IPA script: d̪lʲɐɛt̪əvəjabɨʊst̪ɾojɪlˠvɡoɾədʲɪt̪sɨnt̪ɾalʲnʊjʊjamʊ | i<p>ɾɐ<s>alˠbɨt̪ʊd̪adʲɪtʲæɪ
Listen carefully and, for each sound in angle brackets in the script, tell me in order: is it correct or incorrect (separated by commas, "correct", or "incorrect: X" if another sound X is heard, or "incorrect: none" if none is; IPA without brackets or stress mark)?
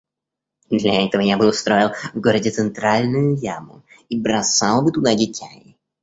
incorrect: b, correct